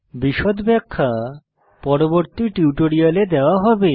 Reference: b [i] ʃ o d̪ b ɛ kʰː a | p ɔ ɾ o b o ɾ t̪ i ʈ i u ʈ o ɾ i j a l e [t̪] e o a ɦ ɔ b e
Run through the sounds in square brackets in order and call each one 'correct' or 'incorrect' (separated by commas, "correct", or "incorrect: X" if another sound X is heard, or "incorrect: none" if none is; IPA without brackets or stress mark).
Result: correct, incorrect: d̪